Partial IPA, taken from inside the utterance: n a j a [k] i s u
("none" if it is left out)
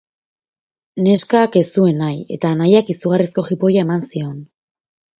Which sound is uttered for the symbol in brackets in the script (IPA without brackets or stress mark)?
k